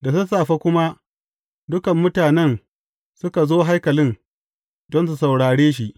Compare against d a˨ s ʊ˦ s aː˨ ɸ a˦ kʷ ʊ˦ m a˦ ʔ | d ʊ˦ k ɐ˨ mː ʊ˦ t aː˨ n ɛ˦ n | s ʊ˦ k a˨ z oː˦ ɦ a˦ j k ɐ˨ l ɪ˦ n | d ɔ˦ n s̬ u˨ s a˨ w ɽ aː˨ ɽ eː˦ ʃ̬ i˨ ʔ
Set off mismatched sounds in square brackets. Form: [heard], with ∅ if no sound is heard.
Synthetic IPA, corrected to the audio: d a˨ s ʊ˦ s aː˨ ɸ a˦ kʷ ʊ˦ m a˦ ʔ | d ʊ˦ k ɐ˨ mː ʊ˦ t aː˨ n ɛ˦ n | s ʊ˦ k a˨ z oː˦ ɦ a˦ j k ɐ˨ l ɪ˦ n | d ɔ˦ n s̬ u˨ s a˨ w ɽ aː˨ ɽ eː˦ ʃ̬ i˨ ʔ